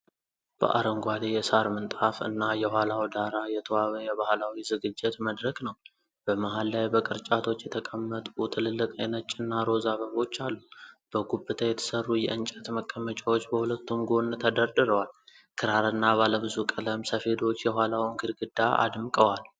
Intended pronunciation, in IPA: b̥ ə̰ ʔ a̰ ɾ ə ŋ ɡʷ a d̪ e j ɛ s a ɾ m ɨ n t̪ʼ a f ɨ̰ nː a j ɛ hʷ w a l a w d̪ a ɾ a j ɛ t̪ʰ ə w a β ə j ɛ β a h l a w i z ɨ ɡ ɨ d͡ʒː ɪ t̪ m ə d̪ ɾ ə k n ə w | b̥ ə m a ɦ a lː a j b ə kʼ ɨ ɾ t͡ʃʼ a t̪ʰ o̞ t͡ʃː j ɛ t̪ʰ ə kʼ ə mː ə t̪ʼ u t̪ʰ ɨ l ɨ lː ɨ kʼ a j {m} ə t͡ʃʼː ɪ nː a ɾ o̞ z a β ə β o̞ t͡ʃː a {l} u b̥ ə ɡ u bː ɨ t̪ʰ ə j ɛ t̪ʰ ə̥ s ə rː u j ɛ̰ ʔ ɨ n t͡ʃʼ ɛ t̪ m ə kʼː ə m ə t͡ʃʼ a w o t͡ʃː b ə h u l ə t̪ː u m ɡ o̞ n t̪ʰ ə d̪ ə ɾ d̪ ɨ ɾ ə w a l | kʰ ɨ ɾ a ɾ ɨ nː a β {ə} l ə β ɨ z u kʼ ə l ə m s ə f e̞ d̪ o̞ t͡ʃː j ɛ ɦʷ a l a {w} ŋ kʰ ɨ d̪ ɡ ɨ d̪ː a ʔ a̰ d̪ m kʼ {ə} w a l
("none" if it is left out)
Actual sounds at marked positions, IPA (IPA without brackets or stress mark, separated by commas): n, lː, a, w, ə